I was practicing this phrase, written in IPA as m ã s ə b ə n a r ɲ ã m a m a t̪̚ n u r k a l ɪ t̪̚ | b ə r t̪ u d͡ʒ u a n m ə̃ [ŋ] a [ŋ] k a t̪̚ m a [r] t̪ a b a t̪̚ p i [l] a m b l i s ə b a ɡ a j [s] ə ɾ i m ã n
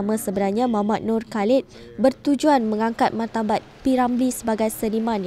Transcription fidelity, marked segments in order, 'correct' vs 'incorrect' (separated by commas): correct, correct, correct, incorrect, correct